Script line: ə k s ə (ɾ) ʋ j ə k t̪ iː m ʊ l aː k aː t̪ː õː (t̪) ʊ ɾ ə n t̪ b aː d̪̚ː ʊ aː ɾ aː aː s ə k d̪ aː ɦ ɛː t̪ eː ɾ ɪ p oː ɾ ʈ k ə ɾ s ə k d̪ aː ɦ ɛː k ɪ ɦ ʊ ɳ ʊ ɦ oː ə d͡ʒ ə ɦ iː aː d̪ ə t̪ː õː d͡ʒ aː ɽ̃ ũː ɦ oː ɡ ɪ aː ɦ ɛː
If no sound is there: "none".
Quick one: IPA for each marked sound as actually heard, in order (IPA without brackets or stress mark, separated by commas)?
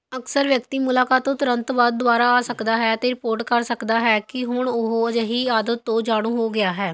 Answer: ɾ, t̪